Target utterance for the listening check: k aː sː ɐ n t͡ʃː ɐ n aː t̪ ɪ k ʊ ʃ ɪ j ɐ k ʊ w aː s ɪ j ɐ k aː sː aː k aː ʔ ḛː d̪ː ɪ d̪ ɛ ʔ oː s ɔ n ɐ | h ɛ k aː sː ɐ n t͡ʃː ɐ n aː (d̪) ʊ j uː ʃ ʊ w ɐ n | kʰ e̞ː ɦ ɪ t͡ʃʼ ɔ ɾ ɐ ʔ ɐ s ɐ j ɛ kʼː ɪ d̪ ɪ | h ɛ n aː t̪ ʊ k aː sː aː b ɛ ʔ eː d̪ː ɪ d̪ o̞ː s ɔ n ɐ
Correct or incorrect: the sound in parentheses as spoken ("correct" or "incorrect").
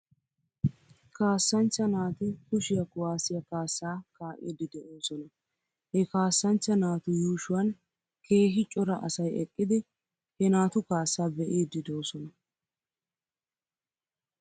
incorrect